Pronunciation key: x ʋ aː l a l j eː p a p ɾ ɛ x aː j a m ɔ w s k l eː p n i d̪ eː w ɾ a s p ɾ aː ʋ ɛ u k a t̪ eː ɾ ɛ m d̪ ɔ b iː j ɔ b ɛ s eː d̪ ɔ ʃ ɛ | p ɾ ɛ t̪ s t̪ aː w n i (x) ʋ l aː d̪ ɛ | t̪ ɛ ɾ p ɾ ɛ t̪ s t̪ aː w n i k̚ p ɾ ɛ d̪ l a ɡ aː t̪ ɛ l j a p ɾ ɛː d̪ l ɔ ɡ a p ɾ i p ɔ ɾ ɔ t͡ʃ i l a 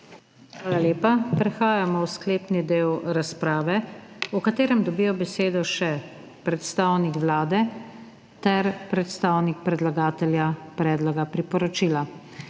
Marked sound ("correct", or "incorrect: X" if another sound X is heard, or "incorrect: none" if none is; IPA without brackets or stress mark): incorrect: k